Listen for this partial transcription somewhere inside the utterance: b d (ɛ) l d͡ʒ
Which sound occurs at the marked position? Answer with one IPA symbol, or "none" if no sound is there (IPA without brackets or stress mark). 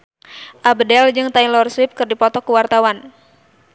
ɛ